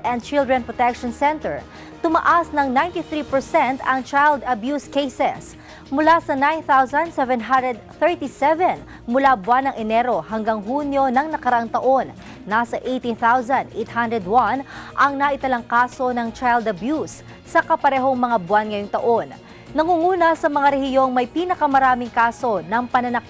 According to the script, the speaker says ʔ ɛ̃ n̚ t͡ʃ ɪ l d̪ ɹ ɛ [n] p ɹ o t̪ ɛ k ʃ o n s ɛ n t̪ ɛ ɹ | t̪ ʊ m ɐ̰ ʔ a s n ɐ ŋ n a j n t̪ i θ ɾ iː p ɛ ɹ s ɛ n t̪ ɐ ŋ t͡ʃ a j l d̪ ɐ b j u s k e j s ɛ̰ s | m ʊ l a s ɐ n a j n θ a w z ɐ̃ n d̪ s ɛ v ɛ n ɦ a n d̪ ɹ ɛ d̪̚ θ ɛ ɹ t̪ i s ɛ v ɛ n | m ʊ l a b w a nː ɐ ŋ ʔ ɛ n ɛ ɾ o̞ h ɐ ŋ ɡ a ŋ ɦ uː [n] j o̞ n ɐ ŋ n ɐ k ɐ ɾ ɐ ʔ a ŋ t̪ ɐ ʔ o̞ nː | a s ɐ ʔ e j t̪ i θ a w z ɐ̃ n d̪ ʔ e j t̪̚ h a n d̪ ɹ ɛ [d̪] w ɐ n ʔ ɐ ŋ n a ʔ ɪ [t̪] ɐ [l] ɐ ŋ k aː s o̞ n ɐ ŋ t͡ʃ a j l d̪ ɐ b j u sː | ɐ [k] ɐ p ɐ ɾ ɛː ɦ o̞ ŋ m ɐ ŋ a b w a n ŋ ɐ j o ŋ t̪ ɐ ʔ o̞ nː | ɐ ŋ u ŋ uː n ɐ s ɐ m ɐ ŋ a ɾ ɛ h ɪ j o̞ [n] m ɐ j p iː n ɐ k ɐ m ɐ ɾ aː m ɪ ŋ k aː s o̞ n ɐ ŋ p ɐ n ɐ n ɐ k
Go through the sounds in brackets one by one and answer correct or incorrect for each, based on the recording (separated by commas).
correct, correct, correct, correct, correct, correct, incorrect